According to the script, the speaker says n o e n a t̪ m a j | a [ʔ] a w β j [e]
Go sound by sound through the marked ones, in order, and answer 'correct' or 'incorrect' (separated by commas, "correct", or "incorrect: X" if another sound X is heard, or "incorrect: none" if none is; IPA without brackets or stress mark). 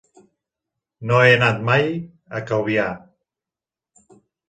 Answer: incorrect: k, incorrect: a